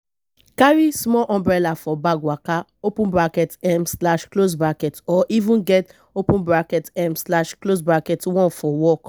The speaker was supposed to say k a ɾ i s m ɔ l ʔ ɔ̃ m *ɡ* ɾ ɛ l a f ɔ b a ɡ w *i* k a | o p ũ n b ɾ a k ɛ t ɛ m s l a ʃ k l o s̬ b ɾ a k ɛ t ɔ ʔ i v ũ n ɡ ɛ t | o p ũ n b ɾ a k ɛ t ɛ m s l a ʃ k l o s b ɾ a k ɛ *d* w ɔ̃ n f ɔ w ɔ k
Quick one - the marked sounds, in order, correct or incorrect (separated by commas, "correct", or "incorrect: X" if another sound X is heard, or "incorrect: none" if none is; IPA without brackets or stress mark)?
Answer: incorrect: b, incorrect: a, incorrect: t